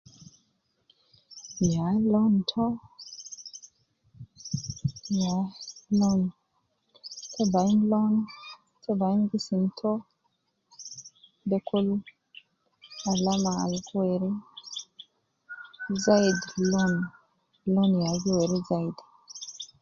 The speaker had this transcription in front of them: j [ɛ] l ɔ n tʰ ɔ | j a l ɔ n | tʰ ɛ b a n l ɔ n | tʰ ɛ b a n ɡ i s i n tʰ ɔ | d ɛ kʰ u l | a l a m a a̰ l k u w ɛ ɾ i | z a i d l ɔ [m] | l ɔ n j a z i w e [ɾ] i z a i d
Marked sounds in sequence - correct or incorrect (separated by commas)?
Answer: incorrect, incorrect, correct